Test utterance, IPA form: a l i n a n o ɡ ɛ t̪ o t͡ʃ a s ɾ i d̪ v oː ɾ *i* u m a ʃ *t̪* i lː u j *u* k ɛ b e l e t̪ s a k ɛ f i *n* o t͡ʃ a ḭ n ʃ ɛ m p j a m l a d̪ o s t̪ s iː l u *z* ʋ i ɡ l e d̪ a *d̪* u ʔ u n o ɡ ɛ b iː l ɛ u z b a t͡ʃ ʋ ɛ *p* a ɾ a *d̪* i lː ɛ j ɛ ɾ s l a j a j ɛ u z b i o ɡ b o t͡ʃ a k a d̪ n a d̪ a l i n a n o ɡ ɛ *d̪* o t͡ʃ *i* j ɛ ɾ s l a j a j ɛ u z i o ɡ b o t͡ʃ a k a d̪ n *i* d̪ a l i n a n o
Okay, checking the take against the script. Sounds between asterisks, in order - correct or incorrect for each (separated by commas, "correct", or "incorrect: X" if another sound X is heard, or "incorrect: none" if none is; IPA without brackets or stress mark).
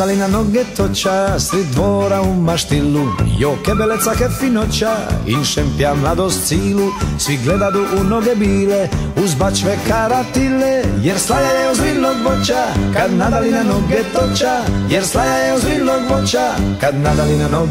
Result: incorrect: a, correct, incorrect: o, correct, incorrect: s, correct, incorrect: k, incorrect: t̪, incorrect: t̪, incorrect: a, incorrect: a